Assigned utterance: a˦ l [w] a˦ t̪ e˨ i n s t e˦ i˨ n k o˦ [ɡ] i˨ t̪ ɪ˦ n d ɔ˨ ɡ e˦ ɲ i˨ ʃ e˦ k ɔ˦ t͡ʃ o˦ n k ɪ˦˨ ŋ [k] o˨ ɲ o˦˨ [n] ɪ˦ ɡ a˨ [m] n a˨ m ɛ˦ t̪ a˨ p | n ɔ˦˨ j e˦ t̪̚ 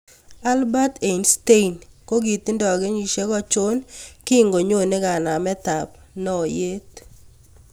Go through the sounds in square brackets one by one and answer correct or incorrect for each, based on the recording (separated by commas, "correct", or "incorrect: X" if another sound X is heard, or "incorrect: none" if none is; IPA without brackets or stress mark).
incorrect: b, correct, incorrect: ɡ, correct, incorrect: none